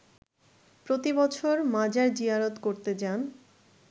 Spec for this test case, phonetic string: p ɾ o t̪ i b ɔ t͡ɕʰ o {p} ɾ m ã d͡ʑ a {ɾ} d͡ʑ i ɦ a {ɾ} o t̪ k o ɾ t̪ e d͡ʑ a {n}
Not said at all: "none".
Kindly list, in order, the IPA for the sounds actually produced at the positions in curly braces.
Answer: none, ɾ, ɾ, n

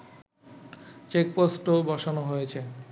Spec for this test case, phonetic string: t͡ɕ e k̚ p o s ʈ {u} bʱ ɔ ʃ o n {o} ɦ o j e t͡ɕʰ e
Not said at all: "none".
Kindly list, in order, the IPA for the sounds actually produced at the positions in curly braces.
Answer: o, o

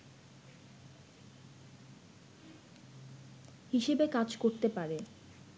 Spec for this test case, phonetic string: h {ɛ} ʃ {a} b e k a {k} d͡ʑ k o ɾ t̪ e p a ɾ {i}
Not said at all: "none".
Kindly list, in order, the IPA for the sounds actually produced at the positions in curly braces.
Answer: i, e, none, e

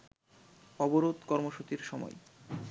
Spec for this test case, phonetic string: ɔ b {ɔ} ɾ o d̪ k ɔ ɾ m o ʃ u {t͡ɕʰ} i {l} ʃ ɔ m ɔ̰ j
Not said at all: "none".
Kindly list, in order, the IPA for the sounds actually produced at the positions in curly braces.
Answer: o, t͡ɕ, ɾ

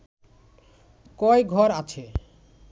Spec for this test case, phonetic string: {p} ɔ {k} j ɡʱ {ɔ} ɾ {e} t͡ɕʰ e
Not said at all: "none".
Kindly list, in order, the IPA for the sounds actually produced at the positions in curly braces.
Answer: k, none, ɔ, a

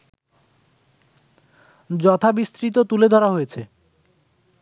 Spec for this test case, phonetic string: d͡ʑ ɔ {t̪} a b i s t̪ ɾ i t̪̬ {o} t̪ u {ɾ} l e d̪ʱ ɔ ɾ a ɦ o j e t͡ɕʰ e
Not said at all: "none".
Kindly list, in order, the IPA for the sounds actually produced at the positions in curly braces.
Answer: t̪ʰ, o, none

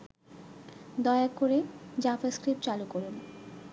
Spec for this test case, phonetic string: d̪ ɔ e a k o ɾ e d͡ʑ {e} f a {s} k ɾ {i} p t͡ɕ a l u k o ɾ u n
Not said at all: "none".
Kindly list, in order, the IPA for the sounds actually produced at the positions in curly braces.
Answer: a, s, i

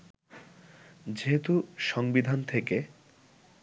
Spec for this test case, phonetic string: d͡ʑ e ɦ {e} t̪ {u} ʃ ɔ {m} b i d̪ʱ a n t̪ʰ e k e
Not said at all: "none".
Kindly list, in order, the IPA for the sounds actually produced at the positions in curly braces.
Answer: e, u, ŋ

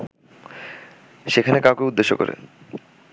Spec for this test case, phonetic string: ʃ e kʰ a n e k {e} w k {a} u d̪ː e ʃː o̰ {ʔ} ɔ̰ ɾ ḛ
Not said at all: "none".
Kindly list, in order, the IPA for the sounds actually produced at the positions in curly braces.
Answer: a, e, k

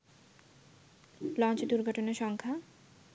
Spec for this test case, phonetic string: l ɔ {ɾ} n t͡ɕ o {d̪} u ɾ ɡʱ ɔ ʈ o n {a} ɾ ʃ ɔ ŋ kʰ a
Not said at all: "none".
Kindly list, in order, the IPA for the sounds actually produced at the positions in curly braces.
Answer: none, d̪, e

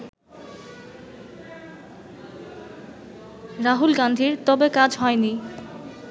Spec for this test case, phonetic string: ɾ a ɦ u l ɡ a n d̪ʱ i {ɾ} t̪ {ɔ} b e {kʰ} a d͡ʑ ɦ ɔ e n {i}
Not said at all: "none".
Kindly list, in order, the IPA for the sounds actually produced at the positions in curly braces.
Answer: ɾ, ɔ, k, i

